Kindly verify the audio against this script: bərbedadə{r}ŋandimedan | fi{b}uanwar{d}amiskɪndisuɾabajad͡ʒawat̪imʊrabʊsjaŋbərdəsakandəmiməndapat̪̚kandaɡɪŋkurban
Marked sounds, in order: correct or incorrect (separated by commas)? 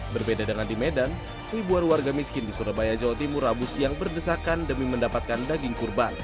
incorrect, correct, incorrect